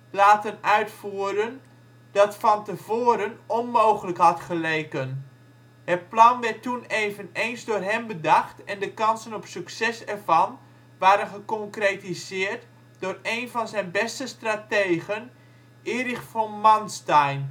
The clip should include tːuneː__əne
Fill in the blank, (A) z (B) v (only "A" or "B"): B